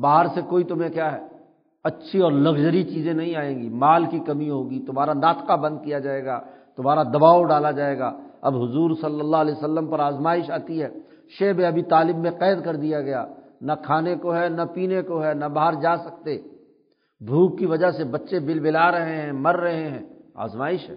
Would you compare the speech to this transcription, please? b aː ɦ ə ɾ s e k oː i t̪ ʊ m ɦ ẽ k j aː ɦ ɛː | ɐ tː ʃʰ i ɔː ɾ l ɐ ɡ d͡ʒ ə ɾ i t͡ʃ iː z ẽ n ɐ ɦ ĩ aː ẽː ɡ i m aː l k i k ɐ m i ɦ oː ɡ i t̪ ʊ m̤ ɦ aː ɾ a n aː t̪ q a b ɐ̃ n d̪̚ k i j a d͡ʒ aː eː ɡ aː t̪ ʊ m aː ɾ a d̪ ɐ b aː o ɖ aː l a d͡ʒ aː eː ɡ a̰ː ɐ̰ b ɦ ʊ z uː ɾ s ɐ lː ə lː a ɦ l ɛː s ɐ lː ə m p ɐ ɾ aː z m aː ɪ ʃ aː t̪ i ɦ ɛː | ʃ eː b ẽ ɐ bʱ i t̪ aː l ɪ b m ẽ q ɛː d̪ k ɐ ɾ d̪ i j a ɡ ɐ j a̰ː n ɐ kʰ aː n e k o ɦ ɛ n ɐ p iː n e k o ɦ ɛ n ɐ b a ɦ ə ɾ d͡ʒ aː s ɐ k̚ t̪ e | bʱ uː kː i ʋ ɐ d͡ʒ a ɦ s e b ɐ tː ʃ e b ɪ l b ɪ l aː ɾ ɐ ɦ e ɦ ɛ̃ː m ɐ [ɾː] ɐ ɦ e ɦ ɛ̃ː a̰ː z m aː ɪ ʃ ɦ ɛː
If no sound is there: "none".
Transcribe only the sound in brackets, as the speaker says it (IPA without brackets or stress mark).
ɾː